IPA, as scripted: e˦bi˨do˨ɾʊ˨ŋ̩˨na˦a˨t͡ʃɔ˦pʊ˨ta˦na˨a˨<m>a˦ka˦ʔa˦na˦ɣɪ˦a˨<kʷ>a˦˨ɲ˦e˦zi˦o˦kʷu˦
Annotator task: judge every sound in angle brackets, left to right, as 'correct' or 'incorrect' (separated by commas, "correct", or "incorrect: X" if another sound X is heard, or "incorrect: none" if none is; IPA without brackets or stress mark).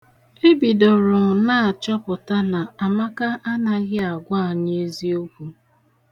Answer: correct, incorrect: ɡʷ